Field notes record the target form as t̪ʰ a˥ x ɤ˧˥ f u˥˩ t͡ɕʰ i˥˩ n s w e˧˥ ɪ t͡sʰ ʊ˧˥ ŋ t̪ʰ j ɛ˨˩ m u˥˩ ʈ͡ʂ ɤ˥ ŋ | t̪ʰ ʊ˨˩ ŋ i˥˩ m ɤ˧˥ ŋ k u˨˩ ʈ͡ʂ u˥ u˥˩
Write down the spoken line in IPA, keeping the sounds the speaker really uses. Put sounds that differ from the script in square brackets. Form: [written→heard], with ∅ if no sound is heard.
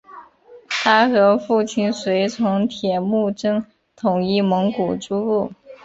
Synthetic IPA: t̪ʰ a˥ x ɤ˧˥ f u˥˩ t͡ɕʰ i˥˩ n s w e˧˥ ɪ t͡sʰ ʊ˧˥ ŋ t̪ʰ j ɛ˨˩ m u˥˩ ʈ͡ʂ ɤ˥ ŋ | t̪ʰ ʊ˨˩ ŋ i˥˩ m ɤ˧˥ ŋ k u˨˩ ʈ͡ʂ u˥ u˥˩